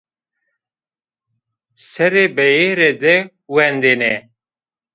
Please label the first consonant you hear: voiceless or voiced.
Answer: voiceless